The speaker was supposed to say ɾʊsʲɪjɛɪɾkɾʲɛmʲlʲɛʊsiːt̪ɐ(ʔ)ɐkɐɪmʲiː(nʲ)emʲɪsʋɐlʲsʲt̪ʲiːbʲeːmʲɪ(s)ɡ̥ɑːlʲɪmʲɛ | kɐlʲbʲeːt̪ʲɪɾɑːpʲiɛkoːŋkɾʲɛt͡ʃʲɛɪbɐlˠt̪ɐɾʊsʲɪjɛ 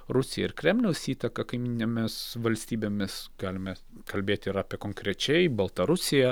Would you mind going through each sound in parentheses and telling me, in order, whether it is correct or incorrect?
incorrect: k, correct, correct

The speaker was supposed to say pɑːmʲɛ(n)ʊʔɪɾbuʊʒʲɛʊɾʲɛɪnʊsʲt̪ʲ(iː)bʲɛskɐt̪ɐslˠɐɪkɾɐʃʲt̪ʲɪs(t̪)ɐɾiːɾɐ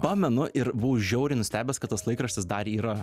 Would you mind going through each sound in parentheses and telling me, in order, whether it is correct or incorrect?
correct, incorrect: æː, incorrect: d̪

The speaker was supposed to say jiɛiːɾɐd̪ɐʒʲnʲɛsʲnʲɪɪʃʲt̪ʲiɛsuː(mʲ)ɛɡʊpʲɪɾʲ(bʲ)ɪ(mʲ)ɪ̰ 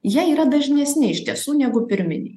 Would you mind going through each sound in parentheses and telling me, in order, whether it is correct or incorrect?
incorrect: nʲ, incorrect: mʲ, incorrect: nʲ

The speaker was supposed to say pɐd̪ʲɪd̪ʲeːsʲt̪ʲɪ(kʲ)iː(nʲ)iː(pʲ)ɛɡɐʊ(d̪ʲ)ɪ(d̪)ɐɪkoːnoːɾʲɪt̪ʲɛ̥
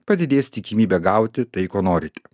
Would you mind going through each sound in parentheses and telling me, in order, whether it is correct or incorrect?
correct, incorrect: mʲ, incorrect: bʲ, incorrect: t̪ʲ, incorrect: t̪

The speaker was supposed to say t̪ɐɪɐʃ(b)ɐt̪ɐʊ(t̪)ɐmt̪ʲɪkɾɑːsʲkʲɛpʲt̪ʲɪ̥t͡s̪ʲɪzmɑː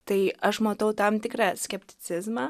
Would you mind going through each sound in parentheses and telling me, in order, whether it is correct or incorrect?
incorrect: m, correct

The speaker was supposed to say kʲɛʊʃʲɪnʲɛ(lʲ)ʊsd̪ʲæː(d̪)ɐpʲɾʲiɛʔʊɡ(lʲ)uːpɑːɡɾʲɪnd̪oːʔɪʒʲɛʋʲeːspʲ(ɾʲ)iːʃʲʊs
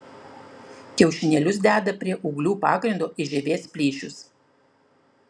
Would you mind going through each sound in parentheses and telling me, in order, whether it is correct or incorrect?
correct, correct, correct, incorrect: lʲ

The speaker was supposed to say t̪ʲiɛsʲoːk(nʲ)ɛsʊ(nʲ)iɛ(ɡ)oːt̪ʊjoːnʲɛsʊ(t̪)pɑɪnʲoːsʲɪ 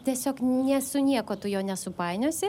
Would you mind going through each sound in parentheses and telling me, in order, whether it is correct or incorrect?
correct, correct, incorrect: k, incorrect: none

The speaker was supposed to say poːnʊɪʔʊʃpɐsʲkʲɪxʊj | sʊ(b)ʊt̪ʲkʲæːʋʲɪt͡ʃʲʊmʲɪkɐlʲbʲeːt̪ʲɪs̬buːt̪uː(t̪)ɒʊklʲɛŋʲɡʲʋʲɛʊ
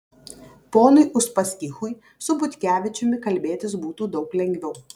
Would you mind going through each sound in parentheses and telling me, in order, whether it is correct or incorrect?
correct, incorrect: d̪

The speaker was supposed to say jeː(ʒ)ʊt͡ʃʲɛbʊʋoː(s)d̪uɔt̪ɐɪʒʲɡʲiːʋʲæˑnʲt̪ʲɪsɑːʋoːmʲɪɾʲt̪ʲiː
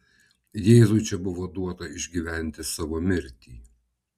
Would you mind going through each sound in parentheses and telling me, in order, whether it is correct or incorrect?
incorrect: z, incorrect: none

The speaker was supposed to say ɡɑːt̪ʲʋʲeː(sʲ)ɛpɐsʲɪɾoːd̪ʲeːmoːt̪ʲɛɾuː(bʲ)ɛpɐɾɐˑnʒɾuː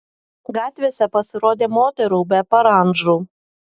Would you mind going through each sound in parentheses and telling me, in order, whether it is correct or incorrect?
correct, correct

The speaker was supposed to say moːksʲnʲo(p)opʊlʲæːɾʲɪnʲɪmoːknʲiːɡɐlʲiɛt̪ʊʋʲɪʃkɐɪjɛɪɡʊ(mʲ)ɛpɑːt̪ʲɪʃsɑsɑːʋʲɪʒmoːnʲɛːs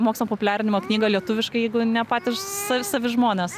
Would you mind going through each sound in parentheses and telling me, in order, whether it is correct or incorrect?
correct, incorrect: nʲ

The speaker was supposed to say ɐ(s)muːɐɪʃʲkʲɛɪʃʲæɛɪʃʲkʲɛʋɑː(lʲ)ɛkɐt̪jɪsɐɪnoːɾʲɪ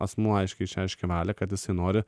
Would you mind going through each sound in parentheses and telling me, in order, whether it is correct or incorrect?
correct, correct

